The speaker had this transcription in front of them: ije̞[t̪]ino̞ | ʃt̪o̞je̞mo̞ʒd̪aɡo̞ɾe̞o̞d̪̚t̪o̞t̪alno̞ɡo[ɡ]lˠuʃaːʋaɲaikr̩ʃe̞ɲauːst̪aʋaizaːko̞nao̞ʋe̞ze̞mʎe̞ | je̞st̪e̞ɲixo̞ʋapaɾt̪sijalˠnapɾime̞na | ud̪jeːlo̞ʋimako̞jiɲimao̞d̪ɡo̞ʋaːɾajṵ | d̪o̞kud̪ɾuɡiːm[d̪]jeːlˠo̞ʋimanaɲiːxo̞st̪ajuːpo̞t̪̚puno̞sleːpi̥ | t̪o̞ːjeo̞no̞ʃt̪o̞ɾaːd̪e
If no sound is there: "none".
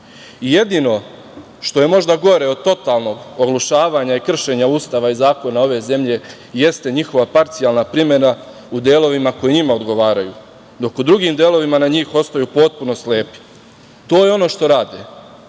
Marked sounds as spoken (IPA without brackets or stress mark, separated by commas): d̪, ɡ, d̪